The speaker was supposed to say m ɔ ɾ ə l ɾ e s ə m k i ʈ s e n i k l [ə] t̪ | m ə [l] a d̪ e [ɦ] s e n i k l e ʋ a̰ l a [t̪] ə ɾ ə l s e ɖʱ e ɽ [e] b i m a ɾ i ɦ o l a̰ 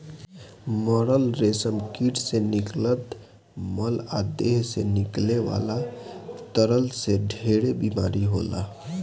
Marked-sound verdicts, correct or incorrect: correct, correct, correct, correct, correct

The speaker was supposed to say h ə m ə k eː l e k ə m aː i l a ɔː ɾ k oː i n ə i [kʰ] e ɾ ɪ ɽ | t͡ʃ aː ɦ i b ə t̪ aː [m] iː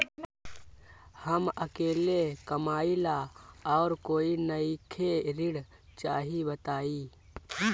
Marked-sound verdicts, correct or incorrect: correct, incorrect

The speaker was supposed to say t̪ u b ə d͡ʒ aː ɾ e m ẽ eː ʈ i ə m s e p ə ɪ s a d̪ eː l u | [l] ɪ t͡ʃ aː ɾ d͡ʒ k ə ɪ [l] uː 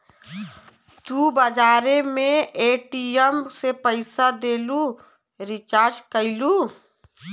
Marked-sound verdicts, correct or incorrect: incorrect, correct

